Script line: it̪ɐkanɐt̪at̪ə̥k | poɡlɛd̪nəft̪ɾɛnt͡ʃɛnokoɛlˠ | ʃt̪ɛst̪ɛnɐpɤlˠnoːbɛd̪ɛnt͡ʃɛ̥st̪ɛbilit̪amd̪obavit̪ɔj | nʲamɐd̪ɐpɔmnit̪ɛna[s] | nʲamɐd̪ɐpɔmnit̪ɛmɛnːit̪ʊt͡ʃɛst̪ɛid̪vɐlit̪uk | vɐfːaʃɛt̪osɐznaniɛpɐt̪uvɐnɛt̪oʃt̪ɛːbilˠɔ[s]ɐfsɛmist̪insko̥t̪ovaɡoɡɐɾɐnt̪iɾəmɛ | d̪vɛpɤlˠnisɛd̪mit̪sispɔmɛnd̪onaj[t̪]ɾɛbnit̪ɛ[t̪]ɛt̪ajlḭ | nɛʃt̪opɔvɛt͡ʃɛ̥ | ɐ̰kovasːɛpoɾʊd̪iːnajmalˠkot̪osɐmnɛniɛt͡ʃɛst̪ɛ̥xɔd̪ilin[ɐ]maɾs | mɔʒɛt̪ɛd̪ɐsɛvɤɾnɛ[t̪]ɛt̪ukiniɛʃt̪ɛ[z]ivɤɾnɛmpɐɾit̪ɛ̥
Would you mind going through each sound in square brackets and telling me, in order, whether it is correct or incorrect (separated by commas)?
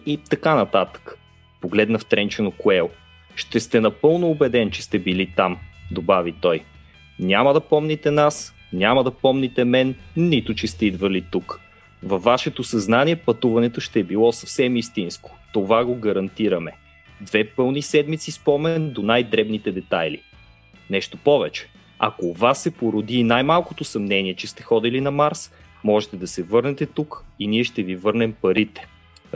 correct, correct, incorrect, incorrect, correct, correct, incorrect